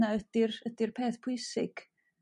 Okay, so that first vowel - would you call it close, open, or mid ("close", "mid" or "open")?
open